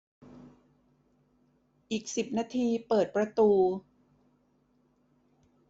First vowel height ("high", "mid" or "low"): high